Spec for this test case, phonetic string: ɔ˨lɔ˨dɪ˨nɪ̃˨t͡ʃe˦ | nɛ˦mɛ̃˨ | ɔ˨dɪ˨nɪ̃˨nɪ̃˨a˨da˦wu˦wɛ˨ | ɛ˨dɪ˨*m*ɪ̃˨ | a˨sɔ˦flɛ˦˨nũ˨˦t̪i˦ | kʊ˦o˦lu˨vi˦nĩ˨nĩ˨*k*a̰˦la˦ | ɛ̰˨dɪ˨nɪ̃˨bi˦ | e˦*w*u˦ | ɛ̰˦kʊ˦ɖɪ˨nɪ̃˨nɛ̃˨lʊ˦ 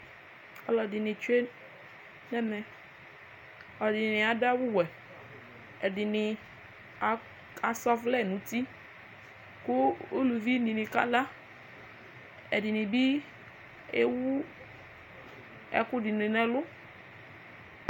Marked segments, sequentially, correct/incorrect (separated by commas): incorrect, correct, correct